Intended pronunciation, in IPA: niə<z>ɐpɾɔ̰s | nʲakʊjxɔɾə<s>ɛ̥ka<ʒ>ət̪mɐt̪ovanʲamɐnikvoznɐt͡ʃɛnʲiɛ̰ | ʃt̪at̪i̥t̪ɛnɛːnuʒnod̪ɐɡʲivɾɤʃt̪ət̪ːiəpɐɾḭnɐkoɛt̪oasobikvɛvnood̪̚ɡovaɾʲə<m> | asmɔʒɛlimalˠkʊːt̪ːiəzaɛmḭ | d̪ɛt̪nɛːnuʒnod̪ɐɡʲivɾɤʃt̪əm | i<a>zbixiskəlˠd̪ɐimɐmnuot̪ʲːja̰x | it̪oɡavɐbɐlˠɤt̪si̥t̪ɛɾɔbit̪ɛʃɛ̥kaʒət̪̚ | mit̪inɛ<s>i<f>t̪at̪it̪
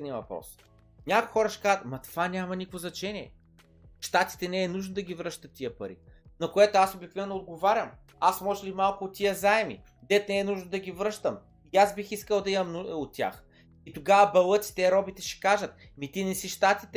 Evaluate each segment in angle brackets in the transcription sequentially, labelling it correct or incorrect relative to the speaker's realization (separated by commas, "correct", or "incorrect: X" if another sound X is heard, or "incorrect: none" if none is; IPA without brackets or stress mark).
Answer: incorrect: v, incorrect: ʃ, incorrect: z, correct, correct, correct, incorrect: ʃ